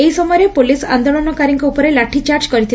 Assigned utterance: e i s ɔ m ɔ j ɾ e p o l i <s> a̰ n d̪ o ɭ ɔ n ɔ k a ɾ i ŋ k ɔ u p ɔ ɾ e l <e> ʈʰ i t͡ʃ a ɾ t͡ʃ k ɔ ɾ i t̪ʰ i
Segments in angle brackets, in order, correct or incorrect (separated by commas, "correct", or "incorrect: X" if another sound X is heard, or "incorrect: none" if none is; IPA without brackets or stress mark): correct, incorrect: a